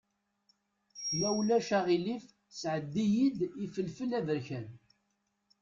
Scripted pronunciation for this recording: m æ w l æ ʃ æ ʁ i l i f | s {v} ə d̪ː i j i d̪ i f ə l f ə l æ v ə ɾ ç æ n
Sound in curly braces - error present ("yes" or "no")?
yes